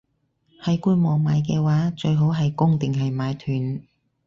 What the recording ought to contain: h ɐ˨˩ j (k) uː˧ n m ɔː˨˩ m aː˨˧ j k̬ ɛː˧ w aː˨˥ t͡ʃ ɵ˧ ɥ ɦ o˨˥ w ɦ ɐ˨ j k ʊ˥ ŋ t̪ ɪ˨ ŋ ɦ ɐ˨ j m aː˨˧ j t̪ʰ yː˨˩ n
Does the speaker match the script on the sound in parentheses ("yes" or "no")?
yes